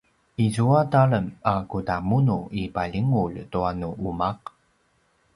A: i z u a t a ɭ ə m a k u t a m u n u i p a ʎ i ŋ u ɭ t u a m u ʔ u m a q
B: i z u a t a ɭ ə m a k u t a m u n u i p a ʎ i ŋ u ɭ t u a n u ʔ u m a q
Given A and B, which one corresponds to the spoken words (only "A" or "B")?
B